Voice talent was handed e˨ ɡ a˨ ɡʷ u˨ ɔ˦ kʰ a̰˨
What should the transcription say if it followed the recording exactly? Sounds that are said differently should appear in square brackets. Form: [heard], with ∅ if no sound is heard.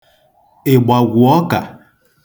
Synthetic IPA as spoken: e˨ [ɡ͡b] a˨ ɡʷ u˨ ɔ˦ [k] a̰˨